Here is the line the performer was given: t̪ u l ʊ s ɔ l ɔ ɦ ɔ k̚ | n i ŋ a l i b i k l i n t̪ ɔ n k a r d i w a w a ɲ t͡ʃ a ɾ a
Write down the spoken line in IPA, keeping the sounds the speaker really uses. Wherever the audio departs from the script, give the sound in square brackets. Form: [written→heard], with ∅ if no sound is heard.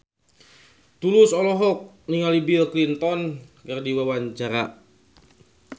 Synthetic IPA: t̪ u l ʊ s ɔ l ɔ ɦ ɔ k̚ | n i ŋ a l i b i k l i n t̪ ɔ n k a r d i w a w a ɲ t͡ʃ a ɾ a